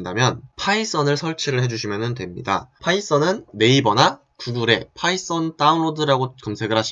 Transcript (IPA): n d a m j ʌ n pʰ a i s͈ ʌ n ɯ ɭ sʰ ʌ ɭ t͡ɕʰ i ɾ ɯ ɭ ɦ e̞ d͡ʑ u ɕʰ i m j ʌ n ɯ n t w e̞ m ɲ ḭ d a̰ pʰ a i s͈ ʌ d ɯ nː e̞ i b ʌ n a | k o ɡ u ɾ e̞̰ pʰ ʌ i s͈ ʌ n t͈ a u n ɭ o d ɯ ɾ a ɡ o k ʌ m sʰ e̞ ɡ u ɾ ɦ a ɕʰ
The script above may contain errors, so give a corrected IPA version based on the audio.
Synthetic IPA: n d a m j ʌ n pʰ a i s͈ ʌ n ɯ ɭ sʰ ʌ ɭ t͡ɕʰ i ɾ ɯ ɭ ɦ e̞ d͡ʑ u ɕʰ i m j ʌ n ɯ n t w e̞ m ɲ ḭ d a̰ pʰ a i s͈ ʌ n ɯ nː e̞ i b ʌ n a | k u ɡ u ɾ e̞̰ pʰ a i s͈ ʌ n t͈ a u n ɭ o d ɯ ɾ a ɡ o k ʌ m sʰ e̞ ɡ ɯ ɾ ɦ a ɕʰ